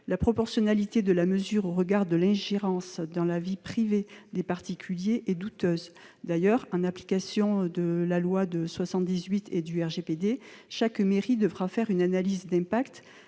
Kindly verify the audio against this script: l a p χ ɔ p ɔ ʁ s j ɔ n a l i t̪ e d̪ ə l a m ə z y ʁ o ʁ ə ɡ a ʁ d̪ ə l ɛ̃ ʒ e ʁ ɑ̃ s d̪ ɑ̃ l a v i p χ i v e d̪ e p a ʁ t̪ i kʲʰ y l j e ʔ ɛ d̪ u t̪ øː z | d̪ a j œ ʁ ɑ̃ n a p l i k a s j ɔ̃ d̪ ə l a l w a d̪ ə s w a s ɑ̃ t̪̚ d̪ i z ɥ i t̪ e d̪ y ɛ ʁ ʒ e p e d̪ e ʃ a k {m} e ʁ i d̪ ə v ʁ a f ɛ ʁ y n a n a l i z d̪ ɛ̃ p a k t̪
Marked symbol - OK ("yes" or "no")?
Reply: yes